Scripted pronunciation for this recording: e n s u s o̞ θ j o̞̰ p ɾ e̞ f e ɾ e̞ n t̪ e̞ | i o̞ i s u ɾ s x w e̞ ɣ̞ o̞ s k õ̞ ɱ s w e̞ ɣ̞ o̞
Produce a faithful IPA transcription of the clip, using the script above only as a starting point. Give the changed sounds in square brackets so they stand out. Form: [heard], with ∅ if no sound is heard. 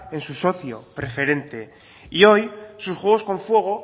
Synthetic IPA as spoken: e n s u s o̞ θ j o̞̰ p ɾ e̞ f e ɾ e̞ n t̪ e̞ | i o̞ [j] s u [∅] s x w e̞ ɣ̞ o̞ s k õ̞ ɱ [f] w e̞ ɣ̞ o̞